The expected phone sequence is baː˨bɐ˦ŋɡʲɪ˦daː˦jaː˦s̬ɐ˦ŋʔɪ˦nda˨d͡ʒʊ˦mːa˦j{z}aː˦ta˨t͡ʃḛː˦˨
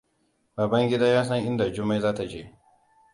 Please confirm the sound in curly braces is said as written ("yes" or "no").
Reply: yes